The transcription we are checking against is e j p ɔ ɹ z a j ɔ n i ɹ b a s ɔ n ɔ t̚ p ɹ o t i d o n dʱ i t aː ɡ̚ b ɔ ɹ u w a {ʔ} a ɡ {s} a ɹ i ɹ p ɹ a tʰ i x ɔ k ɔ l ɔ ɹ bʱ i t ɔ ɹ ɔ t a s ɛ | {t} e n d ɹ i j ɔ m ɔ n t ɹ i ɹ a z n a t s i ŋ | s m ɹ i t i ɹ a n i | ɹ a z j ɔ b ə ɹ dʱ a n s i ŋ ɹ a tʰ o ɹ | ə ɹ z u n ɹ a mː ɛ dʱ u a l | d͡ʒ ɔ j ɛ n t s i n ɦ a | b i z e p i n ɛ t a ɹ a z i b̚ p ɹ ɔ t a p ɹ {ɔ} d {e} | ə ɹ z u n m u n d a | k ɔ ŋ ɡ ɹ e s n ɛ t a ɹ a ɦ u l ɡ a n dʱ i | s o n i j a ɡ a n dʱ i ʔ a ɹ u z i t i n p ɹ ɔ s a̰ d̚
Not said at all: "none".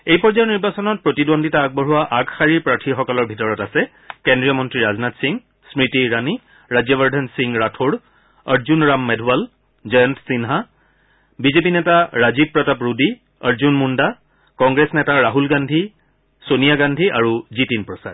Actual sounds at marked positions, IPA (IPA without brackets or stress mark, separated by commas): ʔ, x, k, u, i